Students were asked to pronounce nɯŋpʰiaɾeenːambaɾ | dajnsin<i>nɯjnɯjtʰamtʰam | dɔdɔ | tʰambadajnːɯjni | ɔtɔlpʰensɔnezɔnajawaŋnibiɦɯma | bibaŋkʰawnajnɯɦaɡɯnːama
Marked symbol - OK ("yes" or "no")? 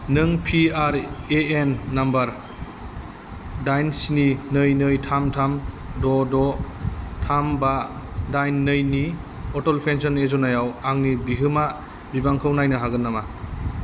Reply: yes